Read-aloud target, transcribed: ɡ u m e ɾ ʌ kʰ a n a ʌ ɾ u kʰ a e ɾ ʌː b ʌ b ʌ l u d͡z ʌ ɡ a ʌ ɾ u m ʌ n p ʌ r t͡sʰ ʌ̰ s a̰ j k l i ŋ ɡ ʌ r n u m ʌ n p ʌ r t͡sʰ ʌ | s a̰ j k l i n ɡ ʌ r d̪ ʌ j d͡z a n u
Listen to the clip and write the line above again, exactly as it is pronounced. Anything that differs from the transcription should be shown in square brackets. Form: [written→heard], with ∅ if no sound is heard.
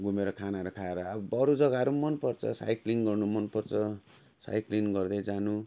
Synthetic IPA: ɡ u m e ɾ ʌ kʰ a n a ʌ ɾ u kʰ a e ɾ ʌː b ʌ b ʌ [l→ɾ] u d͡z ʌ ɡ a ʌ ɾ u m ʌ n p ʌ r t͡sʰ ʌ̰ s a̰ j k l i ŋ ɡ ʌ r n u m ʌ n p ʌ r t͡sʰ ʌ | s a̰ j k l i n ɡ ʌ r d̪ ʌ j d͡z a n u